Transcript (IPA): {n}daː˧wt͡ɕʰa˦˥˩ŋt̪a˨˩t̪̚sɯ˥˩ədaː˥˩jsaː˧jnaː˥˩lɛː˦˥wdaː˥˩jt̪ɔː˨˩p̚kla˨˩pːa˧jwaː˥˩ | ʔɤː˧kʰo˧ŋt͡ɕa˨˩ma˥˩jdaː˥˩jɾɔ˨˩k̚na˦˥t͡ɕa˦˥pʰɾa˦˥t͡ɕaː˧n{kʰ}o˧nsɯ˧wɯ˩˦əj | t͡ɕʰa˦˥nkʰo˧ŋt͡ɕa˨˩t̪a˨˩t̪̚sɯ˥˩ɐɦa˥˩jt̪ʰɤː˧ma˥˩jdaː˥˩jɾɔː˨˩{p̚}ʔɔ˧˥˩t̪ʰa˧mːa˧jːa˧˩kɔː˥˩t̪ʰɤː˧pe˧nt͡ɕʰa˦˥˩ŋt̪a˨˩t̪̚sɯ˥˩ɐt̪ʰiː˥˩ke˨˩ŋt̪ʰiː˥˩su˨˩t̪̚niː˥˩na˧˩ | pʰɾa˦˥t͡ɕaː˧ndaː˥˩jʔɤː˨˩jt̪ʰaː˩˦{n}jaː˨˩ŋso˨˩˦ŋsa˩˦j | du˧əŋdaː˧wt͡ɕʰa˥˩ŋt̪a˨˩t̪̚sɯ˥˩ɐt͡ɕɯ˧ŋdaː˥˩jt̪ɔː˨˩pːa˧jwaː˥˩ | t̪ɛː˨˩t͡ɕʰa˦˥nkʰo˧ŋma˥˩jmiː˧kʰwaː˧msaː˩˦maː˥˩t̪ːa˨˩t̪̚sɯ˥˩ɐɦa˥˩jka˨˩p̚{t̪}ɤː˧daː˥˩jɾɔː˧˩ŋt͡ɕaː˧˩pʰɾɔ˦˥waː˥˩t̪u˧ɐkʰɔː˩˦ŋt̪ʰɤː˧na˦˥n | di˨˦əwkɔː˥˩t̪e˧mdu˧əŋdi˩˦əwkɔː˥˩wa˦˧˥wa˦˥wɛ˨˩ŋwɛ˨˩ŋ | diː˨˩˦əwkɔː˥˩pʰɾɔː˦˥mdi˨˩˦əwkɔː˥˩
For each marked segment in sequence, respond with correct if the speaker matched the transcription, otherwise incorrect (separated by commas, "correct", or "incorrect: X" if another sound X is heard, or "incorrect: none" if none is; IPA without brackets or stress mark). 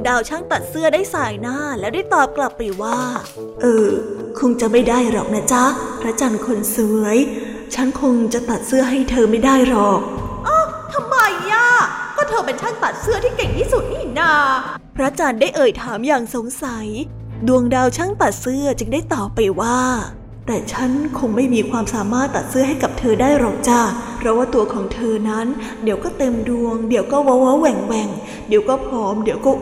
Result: incorrect: ŋ, correct, incorrect: k̚, incorrect: m, incorrect: t̪ʰ